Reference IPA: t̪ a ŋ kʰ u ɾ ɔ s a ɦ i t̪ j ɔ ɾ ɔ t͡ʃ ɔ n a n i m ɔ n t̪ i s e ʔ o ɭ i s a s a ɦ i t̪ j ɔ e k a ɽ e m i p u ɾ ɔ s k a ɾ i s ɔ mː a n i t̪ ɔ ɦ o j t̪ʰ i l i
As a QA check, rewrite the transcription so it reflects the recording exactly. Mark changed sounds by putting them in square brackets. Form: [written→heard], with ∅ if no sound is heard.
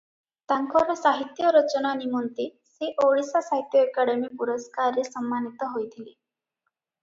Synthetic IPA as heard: t̪ a ŋ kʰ [u→ɔ] ɾ ɔ s a ɦ i t̪ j ɔ ɾ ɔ t͡ʃ ɔ n a n i m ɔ n t̪ i s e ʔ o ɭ i s a s a ɦ i t̪ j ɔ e k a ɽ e m i p u ɾ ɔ s k a ɾ [i→e] s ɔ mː a n i t̪ ɔ ɦ o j t̪ʰ i l i